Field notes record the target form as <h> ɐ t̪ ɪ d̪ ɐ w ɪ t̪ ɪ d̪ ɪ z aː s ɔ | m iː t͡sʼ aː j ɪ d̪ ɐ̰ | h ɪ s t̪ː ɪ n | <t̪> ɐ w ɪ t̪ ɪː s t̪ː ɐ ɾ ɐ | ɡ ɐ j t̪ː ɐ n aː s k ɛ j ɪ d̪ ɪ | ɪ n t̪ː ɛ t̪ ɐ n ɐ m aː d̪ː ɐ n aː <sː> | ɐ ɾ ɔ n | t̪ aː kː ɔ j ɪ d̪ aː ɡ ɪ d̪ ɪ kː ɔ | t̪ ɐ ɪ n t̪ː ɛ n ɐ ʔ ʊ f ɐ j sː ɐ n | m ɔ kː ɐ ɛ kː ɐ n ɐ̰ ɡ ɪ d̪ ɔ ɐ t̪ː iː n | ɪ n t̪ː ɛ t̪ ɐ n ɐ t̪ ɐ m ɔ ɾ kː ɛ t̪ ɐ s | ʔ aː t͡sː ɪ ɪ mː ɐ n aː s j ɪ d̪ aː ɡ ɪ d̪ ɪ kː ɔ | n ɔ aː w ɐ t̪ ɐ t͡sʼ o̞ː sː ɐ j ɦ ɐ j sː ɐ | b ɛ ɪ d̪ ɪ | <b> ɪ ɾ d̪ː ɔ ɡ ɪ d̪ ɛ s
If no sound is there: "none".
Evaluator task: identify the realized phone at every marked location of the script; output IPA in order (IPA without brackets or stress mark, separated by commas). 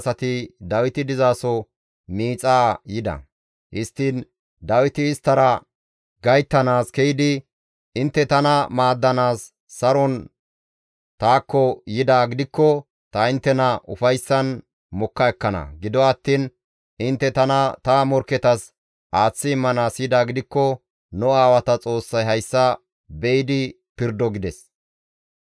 s, d̪, sː, p